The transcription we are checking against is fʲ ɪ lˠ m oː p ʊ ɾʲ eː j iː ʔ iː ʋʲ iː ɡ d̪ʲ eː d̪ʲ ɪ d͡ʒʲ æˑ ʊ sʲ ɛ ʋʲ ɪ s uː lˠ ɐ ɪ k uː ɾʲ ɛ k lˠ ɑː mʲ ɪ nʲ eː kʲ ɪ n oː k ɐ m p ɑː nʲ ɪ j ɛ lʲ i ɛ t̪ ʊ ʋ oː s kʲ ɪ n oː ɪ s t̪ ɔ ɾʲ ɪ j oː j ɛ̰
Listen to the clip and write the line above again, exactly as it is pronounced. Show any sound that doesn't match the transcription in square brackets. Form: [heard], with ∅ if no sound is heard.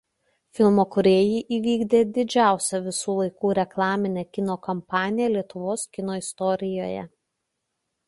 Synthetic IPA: fʲ ɪ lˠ m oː [k] ʊ ɾʲ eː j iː ʔ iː ʋʲ iː ɡ d̪ʲ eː d̪ʲ ɪ d͡ʒʲ æˑ ʊ sʲ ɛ ʋʲ ɪ s uː lˠ ɐ ɪ k uː ɾʲ ɛ k lˠ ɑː mʲ ɪ nʲ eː kʲ ɪ n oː k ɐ m p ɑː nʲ ɪ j ɛ lʲ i ɛ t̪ ʊ ʋ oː s kʲ ɪ n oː ɪ s t̪ ɔ ɾʲ ɪ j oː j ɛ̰